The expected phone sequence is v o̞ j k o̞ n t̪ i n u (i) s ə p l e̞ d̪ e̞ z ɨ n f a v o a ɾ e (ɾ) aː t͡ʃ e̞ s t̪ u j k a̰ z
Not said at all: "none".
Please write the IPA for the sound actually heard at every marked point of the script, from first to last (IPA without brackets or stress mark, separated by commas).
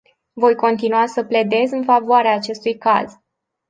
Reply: a, none